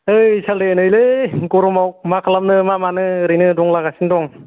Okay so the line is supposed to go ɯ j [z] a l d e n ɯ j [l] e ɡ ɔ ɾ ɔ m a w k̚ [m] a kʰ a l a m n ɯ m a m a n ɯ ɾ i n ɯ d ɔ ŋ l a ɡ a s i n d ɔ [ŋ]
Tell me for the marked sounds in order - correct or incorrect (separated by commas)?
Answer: incorrect, correct, correct, correct